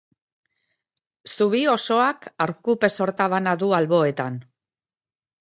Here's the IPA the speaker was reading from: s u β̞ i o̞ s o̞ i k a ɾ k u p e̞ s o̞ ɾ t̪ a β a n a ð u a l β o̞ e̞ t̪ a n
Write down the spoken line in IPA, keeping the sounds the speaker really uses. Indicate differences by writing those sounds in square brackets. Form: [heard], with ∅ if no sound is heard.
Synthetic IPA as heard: s u β̞ i o̞ s o̞ [a] k a ɾ k u p e̞ s o̞ ɾ t̪ a β a n a ð u a l β o̞ e̞ t̪ a n